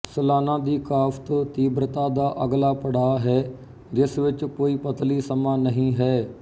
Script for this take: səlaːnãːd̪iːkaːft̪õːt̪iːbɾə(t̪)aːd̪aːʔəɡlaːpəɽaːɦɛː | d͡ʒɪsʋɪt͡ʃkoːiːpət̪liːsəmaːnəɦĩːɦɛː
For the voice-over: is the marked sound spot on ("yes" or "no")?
yes